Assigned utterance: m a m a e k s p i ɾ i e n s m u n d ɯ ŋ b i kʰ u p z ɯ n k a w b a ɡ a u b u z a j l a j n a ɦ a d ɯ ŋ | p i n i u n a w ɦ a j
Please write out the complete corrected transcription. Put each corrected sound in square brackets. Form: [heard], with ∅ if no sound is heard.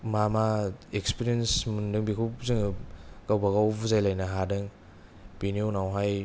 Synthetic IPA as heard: m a m a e k s p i ɾ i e n s m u n d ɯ ŋ b i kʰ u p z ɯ [ŋ] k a w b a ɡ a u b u z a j l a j n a ɦ a d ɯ ŋ | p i n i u n a w ɦ a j

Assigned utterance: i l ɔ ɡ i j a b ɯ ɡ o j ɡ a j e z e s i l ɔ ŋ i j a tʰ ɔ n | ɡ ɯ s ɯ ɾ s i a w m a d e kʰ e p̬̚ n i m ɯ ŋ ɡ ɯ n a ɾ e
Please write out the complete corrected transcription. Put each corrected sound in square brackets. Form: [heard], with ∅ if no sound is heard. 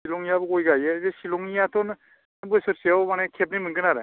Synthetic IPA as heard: i l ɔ [ŋ] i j a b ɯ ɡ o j ɡ a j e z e s i l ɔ ŋ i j a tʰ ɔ n | [b] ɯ s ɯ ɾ s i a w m a [n] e kʰ e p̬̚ n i m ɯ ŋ ɡ ɯ n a ɾ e

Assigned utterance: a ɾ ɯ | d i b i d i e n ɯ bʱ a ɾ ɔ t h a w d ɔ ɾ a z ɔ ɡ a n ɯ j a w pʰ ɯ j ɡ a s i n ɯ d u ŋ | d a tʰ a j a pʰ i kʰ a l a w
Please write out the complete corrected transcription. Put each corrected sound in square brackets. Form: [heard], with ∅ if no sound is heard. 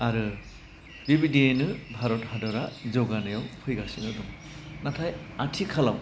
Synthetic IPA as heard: a ɾ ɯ | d i b i d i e n ɯ bʱ a ɾ ɔ t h a [∅] d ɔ ɾ a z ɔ ɡ a n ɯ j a w pʰ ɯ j ɡ a s i n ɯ d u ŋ | [n] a tʰ a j a [tʰ] i kʰ a l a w

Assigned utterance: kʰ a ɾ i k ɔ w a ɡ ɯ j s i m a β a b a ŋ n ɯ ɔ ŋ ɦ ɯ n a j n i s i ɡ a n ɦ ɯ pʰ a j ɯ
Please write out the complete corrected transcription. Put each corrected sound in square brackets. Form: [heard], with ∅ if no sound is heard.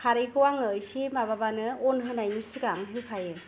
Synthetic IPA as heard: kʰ a ɾ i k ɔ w a [ŋ] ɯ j s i m a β a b a [∅] n ɯ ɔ [n] ɦ ɯ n a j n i s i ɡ a [ŋ] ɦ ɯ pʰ a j ɯ

